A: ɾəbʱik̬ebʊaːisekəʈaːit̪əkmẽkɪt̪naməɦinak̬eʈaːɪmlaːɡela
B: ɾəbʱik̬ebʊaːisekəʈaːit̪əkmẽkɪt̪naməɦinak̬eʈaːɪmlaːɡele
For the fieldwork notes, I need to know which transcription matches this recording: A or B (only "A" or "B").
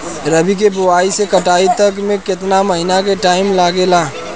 A